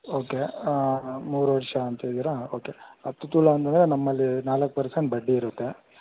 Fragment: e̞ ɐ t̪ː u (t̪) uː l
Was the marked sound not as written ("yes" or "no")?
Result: no